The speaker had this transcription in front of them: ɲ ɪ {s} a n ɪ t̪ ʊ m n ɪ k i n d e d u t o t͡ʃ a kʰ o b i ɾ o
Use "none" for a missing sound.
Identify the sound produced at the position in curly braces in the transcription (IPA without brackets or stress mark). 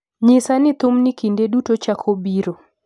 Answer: s